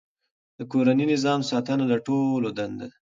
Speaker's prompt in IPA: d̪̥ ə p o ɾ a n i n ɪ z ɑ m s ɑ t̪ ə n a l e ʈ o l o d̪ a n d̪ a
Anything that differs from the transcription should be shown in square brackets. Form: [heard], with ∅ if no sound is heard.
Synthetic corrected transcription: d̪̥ ə [k] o ɾ a n i n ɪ z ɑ m s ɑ t̪ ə n a l [a] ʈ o l o d̪ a n d̪ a